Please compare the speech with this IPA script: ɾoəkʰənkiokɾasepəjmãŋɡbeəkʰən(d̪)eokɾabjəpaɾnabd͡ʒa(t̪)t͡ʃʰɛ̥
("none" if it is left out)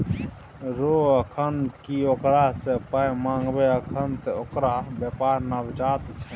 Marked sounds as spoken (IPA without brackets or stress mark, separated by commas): t̪, t̪